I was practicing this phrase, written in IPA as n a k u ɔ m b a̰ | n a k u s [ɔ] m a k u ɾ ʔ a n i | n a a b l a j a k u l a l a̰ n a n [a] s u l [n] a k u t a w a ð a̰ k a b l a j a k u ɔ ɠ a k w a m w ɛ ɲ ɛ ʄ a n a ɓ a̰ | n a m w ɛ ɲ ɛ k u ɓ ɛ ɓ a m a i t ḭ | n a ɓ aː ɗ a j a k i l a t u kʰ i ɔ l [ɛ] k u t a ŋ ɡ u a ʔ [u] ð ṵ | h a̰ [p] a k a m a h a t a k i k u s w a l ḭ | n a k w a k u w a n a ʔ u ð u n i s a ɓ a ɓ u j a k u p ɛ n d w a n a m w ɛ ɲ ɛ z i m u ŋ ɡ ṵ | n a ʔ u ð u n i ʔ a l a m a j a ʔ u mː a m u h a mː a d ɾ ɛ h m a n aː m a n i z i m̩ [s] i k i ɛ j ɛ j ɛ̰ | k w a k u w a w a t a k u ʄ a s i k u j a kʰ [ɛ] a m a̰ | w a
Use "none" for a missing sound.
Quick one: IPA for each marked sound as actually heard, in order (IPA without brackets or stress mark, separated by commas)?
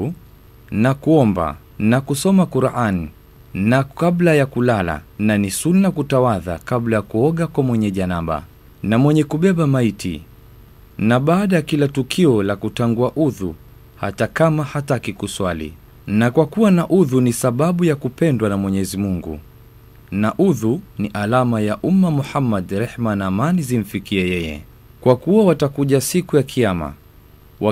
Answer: ɔ, i, n, a, u, t, f, i